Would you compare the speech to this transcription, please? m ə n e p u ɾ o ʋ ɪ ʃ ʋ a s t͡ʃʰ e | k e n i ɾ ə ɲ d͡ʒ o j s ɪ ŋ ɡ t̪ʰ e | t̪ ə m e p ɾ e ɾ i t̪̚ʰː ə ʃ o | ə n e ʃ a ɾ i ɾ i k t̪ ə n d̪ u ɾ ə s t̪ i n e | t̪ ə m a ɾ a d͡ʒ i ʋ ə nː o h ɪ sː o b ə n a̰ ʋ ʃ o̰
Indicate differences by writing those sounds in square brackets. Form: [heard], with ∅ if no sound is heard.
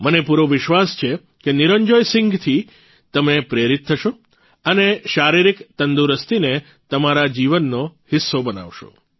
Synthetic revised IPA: m ə n e p u ɾ o ʋ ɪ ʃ ʋ a s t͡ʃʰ e | k e n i ɾ ə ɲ d͡ʒ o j s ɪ ŋ ɡ t̪ʰ [i] | t̪ ə m e p ɾ e ɾ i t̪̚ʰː ə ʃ o | ə n e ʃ a ɾ i ɾ i k t̪ ə n d̪ u ɾ ə s t̪ i n e | t̪ ə m a ɾ a d͡ʒ i ʋ ə nː o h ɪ sː o b ə n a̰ ʋ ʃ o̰